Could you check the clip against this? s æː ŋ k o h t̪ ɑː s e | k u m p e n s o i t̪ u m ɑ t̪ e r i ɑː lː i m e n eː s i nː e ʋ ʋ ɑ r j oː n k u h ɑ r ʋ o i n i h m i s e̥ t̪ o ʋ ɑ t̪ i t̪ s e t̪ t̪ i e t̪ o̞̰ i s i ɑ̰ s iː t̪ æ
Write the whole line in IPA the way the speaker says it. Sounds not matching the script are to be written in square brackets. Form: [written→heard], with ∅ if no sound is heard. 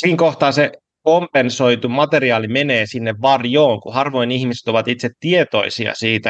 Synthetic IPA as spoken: s [æː→iː] ŋ k o h t̪ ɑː s e | k [u→o] m p e n s o i t̪ u m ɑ t̪ e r i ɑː [lː→l] i m e n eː s i nː e ʋ ʋ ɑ r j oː [n→ŋ] k u h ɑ r ʋ o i n i h m i s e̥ t̪ o ʋ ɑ t̪ i t̪ s e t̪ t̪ i e t̪ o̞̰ i s i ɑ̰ s iː t̪ æ